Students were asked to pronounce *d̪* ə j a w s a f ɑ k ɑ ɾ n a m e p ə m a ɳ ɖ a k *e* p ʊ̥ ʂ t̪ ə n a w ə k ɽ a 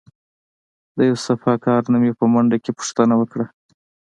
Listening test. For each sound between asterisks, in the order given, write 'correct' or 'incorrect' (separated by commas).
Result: correct, correct